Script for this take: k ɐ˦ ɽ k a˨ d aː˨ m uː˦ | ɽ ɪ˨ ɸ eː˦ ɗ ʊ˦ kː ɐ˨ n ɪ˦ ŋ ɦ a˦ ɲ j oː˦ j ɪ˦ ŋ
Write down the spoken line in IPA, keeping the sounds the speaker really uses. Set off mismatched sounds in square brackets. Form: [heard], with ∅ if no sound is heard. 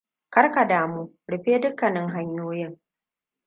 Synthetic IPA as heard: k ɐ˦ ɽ k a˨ d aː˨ m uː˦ | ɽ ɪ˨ ɸ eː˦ [d] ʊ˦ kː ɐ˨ n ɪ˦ ŋ ɦ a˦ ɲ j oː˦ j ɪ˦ ŋ